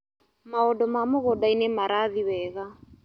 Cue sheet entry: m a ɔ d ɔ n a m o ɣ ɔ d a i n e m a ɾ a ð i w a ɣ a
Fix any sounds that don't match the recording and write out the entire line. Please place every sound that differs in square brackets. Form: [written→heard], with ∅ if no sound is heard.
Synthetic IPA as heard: m a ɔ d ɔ [n→m] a m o ɣ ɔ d a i n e m a ɾ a ð i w [a→ɛ] ɣ a